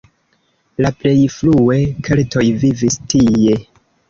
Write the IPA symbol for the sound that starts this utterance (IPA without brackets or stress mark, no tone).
l